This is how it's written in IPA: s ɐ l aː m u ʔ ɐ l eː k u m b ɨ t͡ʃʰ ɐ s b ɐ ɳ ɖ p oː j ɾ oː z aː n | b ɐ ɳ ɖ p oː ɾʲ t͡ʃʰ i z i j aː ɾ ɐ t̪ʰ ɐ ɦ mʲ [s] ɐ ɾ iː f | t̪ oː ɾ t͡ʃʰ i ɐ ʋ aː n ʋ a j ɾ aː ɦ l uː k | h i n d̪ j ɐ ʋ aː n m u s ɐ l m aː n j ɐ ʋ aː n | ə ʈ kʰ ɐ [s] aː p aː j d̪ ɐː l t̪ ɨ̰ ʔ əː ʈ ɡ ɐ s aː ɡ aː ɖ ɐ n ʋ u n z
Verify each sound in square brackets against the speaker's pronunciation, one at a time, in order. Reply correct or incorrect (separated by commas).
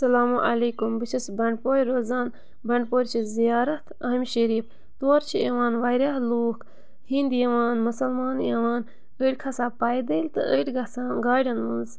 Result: incorrect, correct